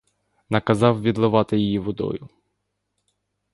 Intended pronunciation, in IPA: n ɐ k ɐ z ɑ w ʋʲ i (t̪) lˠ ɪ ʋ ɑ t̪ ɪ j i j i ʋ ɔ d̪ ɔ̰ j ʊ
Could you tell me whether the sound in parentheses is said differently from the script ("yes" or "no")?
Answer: yes